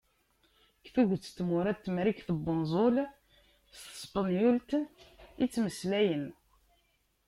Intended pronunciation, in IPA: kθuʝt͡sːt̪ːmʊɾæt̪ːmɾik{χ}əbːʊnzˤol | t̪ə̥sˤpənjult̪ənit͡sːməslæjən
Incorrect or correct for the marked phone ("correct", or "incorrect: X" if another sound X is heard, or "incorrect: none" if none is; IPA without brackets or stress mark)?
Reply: incorrect: θ